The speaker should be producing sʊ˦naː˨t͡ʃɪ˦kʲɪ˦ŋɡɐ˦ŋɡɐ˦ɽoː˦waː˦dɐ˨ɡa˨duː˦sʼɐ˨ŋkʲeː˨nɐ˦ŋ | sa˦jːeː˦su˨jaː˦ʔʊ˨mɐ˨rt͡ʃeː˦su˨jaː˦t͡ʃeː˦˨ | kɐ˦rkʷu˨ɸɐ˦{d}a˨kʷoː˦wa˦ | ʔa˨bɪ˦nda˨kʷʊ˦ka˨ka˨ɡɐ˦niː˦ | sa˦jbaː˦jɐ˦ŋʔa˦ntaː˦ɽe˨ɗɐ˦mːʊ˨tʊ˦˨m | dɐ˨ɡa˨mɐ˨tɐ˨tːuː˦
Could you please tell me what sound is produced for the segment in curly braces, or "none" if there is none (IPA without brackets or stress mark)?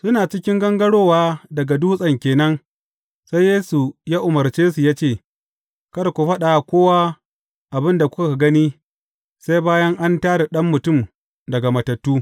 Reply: ɗ